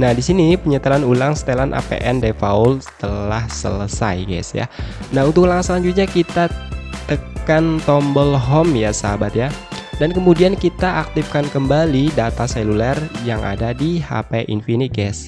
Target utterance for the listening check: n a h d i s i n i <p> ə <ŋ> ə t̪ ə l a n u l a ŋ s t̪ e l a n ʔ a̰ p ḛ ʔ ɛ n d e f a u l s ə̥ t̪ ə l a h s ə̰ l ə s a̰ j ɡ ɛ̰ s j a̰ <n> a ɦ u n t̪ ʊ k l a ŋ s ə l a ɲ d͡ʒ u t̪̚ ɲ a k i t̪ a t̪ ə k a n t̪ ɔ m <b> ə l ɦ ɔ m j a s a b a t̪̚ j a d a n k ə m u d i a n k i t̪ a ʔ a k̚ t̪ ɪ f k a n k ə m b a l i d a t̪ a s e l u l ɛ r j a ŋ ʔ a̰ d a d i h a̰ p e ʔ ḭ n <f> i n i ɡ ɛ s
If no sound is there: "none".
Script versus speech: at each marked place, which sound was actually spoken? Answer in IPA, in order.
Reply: p, ɲ, n, b, f

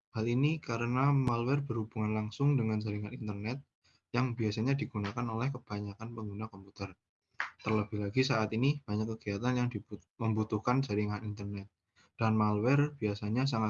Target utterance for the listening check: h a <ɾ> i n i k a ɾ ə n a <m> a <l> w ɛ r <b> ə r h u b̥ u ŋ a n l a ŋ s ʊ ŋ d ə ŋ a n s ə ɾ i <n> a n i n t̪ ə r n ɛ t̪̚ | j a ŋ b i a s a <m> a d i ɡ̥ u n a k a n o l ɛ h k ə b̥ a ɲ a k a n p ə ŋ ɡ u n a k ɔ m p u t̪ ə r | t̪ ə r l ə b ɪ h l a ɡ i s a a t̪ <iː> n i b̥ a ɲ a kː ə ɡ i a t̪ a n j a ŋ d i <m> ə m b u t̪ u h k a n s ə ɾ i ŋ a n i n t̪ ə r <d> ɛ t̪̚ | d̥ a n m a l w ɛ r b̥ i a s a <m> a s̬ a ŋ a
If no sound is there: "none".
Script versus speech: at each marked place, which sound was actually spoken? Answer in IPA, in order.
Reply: l, m, l, b, ŋ, ɲ, i, m, n, ɲ

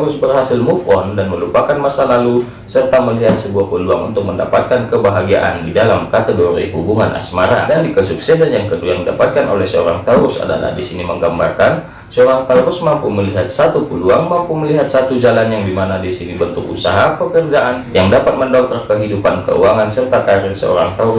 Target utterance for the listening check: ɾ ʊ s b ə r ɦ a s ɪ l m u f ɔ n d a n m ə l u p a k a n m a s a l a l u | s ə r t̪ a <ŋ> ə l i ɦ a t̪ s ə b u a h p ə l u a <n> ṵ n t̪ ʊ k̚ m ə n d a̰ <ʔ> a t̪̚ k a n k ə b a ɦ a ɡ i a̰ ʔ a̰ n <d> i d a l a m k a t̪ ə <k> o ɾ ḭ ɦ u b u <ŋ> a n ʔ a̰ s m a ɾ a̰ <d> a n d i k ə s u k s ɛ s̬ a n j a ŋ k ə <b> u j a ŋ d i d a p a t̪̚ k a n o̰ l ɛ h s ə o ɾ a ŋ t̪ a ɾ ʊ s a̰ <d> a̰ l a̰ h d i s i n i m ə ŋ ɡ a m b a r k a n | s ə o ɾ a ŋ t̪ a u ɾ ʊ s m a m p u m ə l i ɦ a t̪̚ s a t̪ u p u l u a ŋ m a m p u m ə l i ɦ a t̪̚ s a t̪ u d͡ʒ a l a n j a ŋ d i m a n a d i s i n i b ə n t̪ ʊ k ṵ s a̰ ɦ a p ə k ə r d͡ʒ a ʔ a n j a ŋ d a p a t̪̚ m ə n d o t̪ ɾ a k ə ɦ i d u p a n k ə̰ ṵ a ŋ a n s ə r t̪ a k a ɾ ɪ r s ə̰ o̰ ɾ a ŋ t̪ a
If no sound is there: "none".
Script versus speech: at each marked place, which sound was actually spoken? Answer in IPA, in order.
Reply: m, ŋ, p, d, ɡ, ŋ, d, d, d

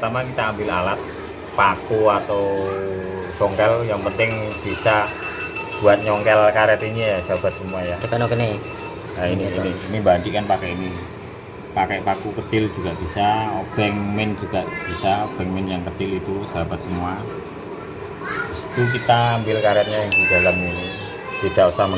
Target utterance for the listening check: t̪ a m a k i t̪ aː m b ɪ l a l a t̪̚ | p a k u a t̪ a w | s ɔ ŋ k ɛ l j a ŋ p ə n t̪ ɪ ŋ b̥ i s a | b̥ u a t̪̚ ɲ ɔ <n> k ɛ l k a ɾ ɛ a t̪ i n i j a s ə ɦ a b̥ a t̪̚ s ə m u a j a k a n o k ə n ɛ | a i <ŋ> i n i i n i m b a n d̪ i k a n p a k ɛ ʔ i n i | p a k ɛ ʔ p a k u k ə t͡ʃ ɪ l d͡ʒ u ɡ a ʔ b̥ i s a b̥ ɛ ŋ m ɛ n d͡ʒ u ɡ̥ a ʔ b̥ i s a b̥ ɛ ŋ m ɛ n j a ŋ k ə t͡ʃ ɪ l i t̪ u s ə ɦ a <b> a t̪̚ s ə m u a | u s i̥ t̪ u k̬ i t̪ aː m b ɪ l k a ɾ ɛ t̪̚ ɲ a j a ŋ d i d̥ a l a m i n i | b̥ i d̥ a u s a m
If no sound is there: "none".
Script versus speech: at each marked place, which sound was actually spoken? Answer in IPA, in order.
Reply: ŋ, n, b

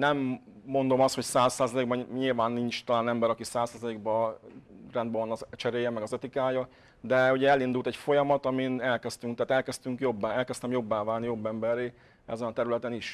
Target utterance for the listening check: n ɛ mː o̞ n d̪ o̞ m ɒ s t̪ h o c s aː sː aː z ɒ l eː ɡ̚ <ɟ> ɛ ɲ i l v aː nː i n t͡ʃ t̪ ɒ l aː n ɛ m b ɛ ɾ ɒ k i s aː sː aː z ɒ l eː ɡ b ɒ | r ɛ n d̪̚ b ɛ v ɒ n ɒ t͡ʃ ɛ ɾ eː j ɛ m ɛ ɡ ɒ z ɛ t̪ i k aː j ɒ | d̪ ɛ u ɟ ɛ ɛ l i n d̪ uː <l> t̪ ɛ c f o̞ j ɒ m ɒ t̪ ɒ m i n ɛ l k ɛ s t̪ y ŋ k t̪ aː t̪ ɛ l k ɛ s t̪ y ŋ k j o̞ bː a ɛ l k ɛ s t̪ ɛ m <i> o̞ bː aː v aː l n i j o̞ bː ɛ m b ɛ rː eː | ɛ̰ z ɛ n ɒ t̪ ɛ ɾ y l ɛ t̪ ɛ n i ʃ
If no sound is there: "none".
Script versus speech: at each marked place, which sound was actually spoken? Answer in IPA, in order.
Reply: b, l, j

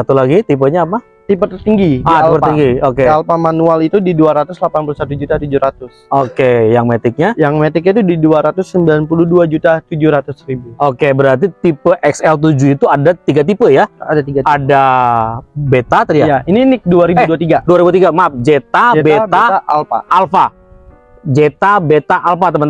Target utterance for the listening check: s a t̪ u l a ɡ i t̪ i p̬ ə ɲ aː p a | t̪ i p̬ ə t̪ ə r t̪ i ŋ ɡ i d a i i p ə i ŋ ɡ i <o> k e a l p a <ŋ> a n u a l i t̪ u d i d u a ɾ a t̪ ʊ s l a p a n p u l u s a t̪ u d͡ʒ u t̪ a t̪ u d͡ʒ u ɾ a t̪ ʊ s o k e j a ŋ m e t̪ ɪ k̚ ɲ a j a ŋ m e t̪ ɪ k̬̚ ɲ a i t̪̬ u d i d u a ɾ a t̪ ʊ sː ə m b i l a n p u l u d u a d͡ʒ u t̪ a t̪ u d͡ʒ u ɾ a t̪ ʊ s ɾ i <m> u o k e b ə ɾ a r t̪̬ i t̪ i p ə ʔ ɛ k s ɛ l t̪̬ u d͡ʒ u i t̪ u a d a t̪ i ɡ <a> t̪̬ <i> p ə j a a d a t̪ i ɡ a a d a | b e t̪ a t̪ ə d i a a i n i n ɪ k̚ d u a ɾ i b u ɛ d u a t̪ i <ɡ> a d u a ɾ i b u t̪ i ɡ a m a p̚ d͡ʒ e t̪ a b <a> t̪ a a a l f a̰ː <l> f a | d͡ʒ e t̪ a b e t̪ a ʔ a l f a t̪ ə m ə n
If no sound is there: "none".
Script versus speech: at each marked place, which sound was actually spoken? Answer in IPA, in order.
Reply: o, m, b, a, i, ɡ, e, l

